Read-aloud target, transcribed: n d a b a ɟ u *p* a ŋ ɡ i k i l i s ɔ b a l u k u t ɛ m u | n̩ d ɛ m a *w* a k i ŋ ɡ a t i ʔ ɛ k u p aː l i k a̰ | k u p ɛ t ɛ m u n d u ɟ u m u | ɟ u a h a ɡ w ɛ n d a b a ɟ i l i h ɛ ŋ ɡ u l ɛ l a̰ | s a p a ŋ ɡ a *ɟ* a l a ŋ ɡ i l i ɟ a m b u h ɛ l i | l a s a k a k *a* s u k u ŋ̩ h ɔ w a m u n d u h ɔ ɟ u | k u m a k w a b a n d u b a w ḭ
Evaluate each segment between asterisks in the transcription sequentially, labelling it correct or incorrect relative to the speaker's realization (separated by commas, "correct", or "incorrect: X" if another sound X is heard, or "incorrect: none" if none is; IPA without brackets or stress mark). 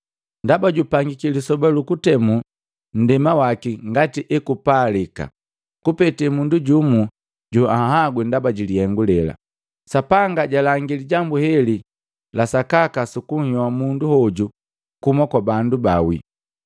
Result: correct, correct, correct, correct